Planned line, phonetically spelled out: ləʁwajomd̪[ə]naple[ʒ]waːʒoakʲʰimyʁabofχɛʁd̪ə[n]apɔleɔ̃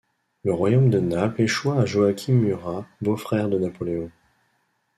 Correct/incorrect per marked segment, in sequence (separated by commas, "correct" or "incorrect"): correct, incorrect, correct